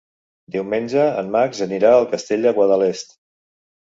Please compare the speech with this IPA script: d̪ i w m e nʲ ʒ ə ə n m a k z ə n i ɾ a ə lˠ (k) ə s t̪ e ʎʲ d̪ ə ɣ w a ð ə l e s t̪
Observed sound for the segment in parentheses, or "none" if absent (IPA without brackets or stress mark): k